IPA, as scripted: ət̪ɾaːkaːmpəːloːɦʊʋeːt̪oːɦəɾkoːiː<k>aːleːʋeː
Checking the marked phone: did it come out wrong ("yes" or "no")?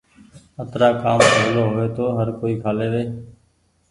yes